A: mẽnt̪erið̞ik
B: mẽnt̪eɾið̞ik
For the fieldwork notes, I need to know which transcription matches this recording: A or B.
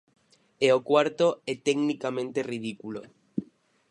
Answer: A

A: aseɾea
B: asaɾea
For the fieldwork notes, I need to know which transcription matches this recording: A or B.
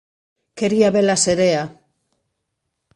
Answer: A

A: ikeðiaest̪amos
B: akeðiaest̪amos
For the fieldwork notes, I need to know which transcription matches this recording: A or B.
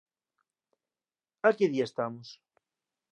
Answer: B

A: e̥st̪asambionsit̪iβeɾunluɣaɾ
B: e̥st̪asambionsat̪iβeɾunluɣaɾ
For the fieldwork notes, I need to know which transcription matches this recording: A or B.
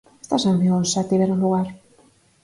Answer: B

